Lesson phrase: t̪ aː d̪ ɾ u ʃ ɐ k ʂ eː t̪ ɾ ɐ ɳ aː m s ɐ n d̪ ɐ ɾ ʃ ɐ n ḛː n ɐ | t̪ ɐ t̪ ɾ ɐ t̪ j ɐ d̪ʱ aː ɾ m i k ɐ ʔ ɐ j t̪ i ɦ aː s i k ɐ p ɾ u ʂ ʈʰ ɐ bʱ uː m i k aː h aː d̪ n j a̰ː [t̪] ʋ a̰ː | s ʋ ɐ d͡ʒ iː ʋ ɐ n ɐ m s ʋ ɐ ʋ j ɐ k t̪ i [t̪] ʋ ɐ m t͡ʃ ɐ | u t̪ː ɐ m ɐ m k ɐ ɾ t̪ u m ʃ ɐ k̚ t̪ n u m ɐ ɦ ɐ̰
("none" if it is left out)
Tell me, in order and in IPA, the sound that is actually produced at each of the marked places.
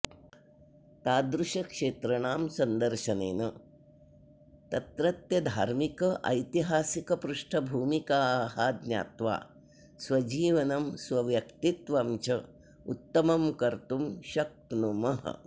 t̪, t̪

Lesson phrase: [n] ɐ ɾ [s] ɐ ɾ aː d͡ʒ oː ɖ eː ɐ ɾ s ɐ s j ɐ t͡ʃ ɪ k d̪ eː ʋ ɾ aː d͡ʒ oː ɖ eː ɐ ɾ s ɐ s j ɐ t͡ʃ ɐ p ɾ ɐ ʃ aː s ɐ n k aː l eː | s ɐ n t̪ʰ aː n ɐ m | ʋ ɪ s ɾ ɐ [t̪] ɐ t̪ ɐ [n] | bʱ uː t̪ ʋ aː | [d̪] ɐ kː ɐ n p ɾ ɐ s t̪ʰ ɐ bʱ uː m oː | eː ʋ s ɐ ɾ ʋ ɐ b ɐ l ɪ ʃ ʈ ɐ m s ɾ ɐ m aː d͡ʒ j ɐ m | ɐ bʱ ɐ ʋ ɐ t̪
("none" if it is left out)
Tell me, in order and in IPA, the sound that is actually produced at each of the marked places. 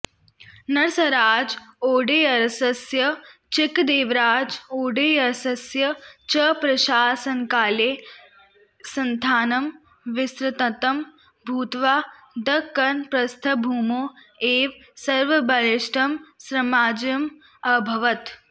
n, s, t̪, m, d̪

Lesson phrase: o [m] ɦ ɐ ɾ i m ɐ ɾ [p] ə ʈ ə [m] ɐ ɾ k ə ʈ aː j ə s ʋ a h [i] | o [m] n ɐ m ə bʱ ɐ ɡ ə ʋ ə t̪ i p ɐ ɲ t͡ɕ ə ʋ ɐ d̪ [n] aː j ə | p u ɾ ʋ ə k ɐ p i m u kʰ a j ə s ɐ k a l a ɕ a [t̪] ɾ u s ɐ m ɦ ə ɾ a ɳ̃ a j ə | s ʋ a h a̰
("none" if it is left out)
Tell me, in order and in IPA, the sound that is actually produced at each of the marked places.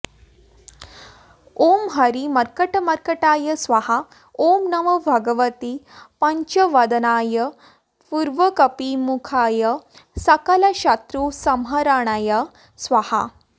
m, k, m, a, m, n, t̪

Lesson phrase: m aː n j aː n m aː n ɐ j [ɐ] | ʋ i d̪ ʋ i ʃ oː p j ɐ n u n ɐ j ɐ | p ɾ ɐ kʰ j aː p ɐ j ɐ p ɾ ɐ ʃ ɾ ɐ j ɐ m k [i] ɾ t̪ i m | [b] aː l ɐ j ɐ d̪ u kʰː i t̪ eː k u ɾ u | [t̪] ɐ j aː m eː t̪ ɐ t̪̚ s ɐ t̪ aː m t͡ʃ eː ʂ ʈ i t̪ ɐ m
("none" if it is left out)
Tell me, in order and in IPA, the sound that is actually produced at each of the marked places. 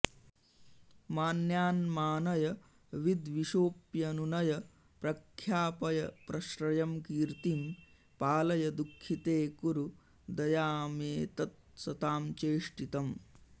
ɐ, iː, p, d̪

